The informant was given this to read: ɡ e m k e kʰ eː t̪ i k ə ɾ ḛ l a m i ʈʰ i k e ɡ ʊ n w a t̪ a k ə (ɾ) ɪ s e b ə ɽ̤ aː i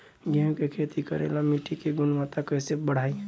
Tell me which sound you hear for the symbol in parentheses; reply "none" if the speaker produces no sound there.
none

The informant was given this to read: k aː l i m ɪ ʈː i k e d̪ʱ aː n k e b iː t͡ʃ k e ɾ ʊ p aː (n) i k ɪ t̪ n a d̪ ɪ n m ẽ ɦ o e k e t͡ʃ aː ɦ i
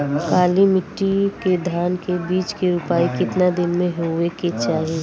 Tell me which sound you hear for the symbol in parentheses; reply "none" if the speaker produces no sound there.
none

